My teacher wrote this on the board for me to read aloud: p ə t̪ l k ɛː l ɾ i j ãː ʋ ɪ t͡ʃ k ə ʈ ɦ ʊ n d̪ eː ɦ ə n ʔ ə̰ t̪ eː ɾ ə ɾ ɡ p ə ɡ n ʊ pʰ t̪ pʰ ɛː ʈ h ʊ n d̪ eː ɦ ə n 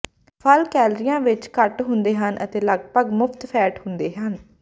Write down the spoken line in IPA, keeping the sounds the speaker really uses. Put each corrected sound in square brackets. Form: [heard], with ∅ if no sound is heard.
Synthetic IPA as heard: [pʰ] ə [∅] l k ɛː l ɾ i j ãː ʋ ɪ t͡ʃ k ə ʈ ɦ ʊ n d̪ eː ɦ ə n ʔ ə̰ t̪ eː [l] ə [∅] ɡ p ə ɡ [m] ʊ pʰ t̪ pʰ ɛː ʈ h ʊ n d̪ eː ɦ ə n

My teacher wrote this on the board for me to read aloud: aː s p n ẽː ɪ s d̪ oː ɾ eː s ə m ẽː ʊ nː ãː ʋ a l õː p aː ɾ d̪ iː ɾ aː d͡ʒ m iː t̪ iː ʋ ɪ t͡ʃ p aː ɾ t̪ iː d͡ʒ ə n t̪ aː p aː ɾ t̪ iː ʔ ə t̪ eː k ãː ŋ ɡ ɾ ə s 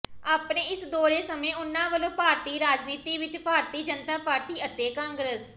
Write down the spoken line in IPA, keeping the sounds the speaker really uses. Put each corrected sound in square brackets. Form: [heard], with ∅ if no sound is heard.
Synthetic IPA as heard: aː [∅] p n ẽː ɪ s d̪ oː ɾ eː s ə m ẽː ʊ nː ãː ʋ [ə] l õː p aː ɾ [t̪] iː ɾ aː d͡ʒ [n] iː t̪ iː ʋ ɪ t͡ʃ p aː ɾ t̪ iː d͡ʒ ə n t̪ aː p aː ɾ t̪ iː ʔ ə t̪ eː k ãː ŋ ɡ ɾ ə s

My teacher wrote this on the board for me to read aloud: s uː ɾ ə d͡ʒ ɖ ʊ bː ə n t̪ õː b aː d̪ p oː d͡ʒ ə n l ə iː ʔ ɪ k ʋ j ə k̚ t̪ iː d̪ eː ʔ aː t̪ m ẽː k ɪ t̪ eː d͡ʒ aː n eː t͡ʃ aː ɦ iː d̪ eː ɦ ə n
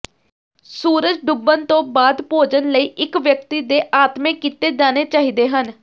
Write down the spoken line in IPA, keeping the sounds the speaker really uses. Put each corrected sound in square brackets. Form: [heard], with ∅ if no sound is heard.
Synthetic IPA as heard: s uː ɾ ə d͡ʒ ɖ ʊ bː ə n t̪ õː b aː d̪ p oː d͡ʒ ə n l ə iː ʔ ɪ k ʋ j ə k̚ t̪ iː d̪ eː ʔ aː t̪ m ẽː k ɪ t̪ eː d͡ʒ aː n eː t͡ʃ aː ɦ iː d̪ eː ɦ ə n

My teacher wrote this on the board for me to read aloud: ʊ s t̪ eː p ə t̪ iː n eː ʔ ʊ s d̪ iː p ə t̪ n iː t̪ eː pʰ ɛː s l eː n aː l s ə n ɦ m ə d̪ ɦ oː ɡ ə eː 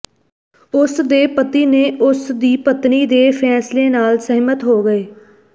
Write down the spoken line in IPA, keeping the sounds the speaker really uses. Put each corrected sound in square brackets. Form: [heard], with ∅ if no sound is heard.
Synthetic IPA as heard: ʊ s [d̪] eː p ə t̪ iː n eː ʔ ʊ s d̪ iː p ə t̪ n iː [d̪] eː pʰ ɛː s l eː n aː l s ə [∅] ɦ m ə [t̪] ɦ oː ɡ ə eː

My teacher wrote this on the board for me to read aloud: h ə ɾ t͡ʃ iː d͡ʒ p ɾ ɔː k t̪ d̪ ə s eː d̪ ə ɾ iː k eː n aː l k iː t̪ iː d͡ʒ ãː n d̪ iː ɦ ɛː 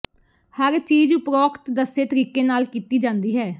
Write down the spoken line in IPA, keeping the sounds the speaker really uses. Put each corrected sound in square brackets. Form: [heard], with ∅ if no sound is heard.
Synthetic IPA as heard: h ə ɾ t͡ʃ iː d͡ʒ p ɾ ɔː k t̪ d̪ ə s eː [t̪] ə ɾ iː k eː n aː l k iː t̪ iː d͡ʒ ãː n d̪ iː ɦ ɛː

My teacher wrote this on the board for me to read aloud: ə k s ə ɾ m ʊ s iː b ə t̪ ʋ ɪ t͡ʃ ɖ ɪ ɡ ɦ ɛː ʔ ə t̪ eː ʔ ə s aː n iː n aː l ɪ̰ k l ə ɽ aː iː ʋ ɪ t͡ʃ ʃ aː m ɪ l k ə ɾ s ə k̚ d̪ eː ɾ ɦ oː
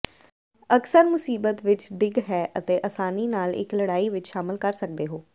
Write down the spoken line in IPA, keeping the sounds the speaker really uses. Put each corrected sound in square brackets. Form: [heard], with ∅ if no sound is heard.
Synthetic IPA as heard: ə k s ə ɾ m ʊ s iː b ə t̪ ʋ ɪ t͡ʃ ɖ ɪ ɡ ɦ ɛː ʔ ə t̪ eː ʔ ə s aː n iː n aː l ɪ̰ k l ə ɽ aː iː ʋ ɪ t͡ʃ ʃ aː m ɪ l k ə ɾ s ə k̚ d̪ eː [∅] ɦ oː

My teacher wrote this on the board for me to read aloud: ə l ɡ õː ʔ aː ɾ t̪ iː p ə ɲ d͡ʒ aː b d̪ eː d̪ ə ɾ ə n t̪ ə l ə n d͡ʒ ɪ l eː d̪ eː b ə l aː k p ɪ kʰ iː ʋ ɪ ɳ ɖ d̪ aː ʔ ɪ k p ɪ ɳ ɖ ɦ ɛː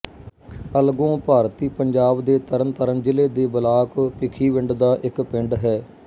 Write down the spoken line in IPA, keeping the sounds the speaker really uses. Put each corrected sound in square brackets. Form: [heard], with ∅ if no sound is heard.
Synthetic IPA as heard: ə l ɡ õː [p] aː ɾ t̪ iː p ə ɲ d͡ʒ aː b d̪ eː [t̪] ə ɾ ə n t̪ ə [ɾ] ə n d͡ʒ ɪ l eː d̪ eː b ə l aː k p ɪ kʰ iː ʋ ɪ ɳ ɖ d̪ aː ʔ ɪ k p ɪ ɳ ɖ ɦ ɛː

